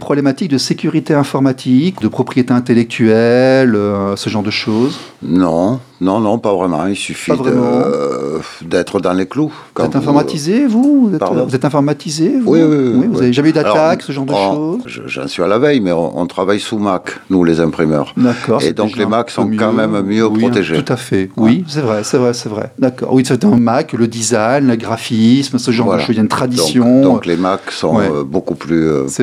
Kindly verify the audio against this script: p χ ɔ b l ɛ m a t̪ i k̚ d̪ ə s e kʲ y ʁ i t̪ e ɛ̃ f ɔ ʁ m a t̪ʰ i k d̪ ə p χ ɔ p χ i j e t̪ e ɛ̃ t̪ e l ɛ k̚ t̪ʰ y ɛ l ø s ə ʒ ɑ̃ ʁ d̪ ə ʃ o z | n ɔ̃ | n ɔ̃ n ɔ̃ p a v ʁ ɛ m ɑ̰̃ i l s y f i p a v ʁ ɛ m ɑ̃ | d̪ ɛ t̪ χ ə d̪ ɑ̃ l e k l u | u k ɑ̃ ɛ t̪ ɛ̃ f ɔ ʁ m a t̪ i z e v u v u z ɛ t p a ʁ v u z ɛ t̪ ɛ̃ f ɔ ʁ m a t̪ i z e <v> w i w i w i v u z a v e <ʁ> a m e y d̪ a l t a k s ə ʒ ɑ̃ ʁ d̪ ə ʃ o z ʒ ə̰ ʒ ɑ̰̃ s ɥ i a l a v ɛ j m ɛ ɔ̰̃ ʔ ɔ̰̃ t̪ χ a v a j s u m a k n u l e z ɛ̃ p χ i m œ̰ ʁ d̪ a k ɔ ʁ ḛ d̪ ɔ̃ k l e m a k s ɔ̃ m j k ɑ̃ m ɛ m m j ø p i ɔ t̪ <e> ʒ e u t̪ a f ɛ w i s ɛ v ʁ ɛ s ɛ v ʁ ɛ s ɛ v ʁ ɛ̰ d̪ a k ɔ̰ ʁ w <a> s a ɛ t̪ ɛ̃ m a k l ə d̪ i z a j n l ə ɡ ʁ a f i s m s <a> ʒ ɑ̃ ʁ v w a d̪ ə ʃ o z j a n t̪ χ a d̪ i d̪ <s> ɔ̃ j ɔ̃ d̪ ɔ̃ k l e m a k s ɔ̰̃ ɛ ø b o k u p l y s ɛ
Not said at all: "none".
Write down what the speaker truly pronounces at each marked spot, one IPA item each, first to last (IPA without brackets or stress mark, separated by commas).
v, ʒ, e, i, ə, s